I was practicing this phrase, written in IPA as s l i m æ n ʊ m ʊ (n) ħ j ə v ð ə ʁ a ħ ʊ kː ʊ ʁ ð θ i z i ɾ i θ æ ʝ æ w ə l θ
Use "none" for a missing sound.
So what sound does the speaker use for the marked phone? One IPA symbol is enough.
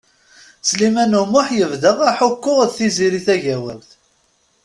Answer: none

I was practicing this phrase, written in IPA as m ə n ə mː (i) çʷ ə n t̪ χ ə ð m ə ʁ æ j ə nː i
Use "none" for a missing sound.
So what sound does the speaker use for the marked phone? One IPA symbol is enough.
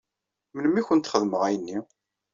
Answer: i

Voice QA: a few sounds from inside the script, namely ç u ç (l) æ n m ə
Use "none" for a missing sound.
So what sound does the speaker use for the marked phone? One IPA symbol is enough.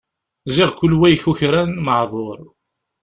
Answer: ɾ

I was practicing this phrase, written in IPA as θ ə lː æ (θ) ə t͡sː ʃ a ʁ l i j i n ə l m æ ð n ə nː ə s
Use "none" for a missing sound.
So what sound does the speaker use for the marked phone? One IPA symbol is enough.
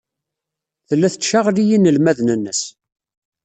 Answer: θ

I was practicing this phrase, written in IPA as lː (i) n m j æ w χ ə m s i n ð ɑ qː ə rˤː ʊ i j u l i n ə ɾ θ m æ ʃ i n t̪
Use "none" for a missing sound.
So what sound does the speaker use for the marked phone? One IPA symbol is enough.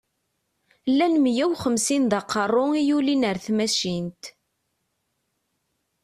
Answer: æ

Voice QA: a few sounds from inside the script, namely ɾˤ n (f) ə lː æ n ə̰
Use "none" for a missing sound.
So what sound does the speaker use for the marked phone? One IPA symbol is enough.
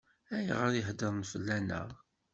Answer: f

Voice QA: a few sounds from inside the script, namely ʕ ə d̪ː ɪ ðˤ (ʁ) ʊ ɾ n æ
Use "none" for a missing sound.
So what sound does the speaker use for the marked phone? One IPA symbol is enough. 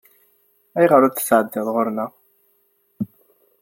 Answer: ʁ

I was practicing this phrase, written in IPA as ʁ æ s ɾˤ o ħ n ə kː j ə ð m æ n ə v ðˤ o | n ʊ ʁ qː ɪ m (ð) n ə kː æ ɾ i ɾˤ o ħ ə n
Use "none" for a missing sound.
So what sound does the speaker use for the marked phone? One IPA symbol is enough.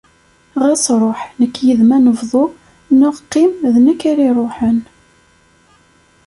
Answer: ð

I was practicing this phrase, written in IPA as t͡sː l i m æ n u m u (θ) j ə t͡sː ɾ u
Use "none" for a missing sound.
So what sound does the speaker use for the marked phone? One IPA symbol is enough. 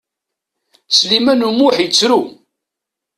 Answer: ħ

